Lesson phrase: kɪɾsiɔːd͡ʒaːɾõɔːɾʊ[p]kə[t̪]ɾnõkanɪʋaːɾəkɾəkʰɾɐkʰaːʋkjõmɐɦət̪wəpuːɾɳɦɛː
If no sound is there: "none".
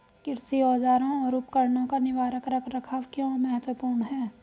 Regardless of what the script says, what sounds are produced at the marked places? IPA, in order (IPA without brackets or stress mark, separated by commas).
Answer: p, none